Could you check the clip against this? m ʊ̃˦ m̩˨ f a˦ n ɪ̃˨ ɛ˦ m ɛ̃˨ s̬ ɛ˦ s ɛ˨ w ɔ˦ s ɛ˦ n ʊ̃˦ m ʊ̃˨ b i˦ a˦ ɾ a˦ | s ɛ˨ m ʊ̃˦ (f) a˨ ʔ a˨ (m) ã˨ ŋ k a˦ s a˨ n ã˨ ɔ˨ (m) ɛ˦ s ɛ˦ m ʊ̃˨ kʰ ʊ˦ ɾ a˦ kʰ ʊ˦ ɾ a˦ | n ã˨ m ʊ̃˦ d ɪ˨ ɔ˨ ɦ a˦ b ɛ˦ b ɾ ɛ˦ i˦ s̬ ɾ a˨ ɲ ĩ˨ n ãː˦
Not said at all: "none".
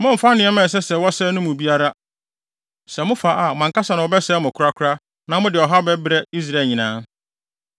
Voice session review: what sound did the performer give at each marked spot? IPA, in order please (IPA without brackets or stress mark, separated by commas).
f, m, b